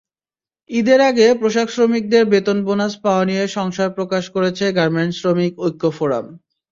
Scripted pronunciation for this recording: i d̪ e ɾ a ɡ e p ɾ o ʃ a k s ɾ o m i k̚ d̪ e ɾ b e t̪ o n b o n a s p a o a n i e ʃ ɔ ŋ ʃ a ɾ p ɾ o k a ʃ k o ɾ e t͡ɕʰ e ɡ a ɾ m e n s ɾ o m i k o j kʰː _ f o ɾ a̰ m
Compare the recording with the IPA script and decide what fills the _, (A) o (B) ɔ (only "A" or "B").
A